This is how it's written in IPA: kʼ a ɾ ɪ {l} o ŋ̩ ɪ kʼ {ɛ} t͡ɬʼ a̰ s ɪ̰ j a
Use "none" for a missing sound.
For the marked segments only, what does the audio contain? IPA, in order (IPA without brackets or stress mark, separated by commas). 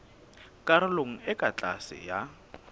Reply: l, a